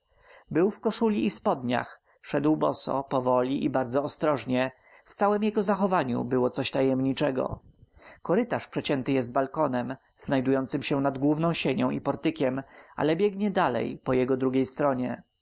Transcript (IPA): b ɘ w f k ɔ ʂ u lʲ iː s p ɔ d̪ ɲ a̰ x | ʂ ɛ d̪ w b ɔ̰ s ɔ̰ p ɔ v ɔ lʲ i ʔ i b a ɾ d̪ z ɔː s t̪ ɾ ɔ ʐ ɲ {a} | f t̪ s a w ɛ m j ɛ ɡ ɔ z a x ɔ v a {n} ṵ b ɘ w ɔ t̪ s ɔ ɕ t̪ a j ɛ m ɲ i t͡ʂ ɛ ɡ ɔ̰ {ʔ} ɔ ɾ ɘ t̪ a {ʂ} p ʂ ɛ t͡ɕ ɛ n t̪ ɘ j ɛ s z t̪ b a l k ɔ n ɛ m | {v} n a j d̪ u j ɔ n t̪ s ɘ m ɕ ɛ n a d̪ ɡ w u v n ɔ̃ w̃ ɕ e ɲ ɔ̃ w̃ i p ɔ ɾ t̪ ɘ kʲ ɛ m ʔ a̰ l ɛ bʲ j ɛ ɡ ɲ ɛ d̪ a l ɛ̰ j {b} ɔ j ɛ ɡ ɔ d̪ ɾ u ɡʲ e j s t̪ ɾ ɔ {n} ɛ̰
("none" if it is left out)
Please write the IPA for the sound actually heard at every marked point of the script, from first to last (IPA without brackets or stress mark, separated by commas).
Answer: ɛ, ɲ, k, ʂ, z, p, ɲ